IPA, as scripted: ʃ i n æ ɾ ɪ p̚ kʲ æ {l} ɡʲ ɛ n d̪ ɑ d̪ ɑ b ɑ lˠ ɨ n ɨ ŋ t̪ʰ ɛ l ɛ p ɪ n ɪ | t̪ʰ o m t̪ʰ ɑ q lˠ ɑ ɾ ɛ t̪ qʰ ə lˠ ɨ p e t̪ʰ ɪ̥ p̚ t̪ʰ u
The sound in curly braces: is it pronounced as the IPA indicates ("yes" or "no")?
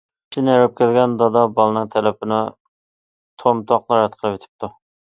yes